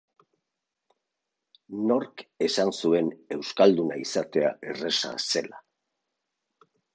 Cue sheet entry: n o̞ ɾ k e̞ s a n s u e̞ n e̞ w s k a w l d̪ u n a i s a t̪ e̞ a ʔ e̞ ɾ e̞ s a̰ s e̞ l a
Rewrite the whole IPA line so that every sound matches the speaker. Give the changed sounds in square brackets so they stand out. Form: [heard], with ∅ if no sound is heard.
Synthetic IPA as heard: n o̞ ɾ k e̞ s a n s u e̞ n e̞ w s k a [∅] l d̪ u n a i s a t̪ e̞ a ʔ e̞ [r] e̞ s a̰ s e̞ l a

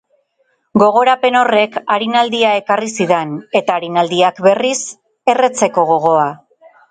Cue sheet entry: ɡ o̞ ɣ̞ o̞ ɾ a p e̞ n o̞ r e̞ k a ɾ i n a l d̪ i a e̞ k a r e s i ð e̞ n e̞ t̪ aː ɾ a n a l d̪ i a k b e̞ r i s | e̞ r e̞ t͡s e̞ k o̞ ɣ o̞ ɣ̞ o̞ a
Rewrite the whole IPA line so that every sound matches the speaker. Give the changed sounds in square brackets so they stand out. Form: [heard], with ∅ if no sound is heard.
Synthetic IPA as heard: ɡ o̞ ɣ̞ o̞ ɾ a p e̞ n o̞ r e̞ k a ɾ i n a l d̪ i a e̞ k a r [i] s i ð e̞ n e̞ t̪ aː ɾ [i] n a l d̪ i a k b e̞ r i s | e̞ r e̞ t͡s e̞ k o̞ ɣ o̞ ɣ̞ o̞ a

